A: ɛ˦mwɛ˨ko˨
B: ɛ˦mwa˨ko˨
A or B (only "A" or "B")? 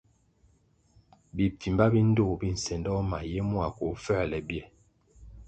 B